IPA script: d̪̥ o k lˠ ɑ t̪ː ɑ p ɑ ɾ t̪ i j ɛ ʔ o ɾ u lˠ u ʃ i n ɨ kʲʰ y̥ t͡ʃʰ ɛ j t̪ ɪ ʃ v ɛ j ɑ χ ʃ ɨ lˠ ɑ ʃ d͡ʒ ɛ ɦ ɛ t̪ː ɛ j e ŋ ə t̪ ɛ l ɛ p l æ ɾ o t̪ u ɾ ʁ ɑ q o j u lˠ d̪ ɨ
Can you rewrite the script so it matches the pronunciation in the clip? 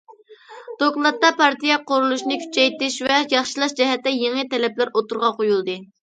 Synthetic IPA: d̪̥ o k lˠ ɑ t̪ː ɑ p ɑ ɾ t̪ i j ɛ q o ɾ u lˠ u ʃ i n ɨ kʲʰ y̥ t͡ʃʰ ɛ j t̪ ɪ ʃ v ɛ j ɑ χ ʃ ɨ lˠ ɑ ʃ d͡ʒ ɛ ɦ ɛ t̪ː ɛ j e ŋ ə t̪ ɛ l ɛ p l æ ɾ o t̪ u ɾ ʁ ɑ q o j u lˠ d̪ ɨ